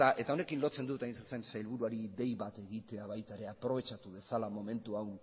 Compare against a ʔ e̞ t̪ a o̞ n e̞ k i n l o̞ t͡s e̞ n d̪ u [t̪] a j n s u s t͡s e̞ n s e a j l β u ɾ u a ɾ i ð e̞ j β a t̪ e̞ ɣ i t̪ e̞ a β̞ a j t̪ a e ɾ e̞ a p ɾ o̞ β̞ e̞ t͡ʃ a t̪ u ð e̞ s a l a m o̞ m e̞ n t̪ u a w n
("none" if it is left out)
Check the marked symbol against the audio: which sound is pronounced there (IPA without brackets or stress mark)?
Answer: t̪